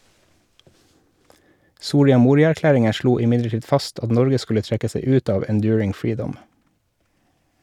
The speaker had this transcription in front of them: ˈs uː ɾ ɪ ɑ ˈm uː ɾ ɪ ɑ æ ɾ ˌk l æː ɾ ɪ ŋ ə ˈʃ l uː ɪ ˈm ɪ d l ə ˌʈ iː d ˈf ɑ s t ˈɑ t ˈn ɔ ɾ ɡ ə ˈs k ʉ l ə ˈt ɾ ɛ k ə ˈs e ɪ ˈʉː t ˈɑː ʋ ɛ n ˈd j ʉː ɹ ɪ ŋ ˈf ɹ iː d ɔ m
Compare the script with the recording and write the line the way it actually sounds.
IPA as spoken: ˈs uː ɾ ɪ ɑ ˈm uː ɾ ɪ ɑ æ ɾ ˌk l æː ɾ ɪ ŋ ə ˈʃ l uː ɪ ˈm ɪ d l ə ˌʈ iː d ˈf ɑ s t ˈɑ t ˈn ɔ ɾ ɡ ə ˈs k ʉ l ə ˈt ɾ ɛ k ə ˈs e ɪ ˈʉː t ˈɑː ʋ ɛ n ˈd j ʉː ɹ ɪ ŋ ˈf ɹ iː d ɔ m